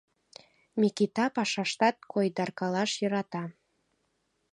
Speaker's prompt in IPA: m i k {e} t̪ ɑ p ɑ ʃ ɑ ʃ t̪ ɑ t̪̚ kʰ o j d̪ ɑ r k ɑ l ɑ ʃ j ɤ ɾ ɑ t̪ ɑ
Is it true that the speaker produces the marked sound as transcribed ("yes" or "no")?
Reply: no